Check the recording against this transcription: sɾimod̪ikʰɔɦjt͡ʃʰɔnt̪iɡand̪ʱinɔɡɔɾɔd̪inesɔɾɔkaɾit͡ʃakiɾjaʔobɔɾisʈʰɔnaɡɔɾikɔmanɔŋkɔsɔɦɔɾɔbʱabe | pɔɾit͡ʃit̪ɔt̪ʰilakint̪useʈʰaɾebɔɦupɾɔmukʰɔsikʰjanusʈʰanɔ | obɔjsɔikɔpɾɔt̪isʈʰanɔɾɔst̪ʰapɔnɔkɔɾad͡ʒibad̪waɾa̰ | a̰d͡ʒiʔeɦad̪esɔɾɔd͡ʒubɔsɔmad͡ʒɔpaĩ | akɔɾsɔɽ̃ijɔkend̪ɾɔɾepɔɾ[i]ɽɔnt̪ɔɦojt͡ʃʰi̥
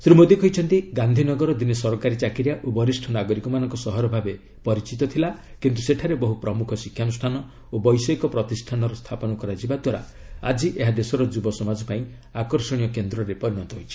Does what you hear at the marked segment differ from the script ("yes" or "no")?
no